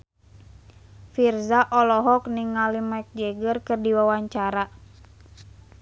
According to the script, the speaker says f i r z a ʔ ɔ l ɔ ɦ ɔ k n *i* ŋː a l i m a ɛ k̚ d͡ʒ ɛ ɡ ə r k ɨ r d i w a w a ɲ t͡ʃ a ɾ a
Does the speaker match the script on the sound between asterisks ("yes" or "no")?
yes